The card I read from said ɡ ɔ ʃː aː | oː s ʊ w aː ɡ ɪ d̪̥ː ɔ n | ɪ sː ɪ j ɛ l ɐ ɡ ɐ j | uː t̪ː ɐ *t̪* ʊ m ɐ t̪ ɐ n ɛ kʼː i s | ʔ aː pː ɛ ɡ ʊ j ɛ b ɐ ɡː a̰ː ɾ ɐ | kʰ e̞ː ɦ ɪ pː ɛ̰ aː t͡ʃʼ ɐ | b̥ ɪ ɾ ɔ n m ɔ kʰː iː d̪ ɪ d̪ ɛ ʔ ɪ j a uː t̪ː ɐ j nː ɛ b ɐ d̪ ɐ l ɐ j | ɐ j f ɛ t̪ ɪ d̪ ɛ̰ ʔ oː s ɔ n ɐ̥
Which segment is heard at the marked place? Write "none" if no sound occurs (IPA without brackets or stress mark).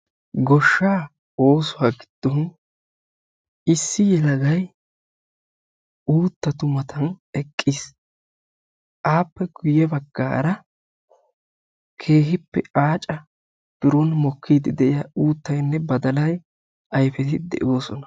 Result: t̪